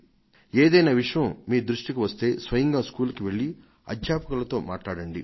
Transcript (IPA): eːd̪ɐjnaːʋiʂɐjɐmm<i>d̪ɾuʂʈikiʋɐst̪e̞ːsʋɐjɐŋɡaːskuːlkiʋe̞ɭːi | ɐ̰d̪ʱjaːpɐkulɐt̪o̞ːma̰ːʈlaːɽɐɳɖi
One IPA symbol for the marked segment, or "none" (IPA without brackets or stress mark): iː